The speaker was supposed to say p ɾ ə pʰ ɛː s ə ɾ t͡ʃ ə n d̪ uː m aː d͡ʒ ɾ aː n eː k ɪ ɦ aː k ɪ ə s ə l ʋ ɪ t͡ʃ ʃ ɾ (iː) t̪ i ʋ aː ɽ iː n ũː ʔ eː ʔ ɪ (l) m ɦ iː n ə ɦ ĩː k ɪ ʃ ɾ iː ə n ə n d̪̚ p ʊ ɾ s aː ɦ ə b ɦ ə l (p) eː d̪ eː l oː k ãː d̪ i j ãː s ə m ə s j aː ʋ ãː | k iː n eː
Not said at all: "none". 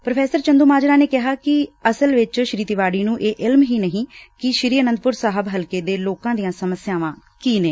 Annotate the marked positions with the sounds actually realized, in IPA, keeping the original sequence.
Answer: iː, l, k

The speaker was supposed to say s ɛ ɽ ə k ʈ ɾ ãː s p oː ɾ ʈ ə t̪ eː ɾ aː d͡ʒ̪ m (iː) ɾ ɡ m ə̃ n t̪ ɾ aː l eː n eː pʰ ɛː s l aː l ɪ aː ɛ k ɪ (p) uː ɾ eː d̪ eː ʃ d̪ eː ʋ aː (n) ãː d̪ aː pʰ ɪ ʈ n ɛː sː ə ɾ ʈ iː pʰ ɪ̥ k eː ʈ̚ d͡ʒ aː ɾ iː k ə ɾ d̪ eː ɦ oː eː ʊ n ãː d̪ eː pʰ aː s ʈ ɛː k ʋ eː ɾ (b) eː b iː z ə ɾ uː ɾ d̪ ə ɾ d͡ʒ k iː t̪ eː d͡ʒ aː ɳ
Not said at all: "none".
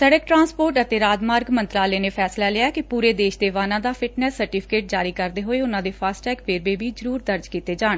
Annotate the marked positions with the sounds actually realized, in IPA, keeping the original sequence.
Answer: aː, p, n, b

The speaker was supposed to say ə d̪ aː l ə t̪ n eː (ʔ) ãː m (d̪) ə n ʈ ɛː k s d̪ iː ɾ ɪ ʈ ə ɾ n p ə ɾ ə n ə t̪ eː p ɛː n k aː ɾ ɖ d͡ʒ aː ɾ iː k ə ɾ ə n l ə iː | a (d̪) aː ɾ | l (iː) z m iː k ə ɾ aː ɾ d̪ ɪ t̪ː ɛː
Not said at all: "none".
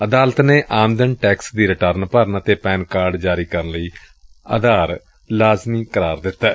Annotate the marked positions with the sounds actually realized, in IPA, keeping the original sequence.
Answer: ʔ, d̪, d̪, aː

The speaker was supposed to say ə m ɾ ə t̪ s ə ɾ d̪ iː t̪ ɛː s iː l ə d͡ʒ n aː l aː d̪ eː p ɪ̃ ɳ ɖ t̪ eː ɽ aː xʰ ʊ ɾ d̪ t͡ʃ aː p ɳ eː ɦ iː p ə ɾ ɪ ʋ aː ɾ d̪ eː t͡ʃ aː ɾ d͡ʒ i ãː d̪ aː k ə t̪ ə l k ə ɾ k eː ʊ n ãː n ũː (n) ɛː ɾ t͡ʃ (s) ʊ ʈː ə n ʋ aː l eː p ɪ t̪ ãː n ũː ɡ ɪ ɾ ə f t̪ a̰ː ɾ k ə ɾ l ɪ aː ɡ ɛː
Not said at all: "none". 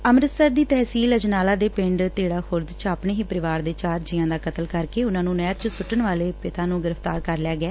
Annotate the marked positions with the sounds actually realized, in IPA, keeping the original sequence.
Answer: n, s

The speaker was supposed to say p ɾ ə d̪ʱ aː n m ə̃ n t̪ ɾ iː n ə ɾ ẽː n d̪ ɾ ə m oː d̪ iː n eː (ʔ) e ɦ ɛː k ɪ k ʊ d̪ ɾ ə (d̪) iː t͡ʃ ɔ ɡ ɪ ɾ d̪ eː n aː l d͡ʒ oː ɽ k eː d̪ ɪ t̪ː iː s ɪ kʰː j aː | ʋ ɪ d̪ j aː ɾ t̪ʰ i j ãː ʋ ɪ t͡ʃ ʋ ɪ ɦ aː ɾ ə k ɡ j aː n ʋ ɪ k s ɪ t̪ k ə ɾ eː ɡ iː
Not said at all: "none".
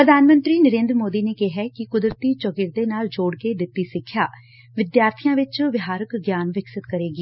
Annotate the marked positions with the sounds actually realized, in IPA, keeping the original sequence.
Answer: k, t̪

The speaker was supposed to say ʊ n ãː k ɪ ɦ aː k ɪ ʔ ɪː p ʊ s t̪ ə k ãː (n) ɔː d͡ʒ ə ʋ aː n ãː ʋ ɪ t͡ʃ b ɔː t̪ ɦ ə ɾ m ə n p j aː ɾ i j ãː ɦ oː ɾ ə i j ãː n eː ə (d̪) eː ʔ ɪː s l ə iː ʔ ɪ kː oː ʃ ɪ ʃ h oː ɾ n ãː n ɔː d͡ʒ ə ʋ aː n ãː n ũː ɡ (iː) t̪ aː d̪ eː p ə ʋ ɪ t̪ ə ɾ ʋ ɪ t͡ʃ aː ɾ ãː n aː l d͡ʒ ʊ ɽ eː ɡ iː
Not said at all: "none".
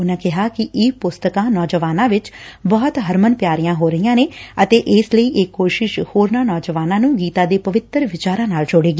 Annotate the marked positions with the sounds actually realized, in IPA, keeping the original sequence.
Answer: n, t̪, iː

